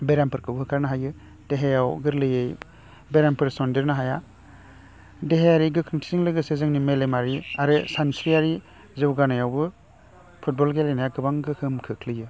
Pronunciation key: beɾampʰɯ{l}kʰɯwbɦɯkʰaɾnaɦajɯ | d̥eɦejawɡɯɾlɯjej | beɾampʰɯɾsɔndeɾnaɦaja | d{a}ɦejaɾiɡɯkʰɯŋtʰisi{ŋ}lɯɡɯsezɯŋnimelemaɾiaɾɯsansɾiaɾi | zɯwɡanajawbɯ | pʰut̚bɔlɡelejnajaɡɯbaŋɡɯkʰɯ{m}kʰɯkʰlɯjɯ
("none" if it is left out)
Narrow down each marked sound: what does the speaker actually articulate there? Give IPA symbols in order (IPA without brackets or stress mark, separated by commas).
ɾ, e, ŋ, m